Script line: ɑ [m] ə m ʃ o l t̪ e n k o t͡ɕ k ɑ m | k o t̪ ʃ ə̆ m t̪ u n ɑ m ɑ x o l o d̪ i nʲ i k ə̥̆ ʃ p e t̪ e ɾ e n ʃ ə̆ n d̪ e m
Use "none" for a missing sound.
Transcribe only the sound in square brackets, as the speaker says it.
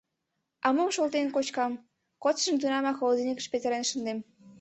m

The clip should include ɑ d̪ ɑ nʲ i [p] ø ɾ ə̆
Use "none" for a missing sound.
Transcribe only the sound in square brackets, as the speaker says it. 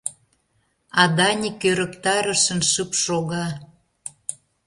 k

